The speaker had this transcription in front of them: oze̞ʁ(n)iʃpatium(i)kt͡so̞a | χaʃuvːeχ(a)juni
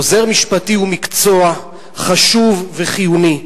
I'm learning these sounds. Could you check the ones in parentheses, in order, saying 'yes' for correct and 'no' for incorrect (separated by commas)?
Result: no, yes, no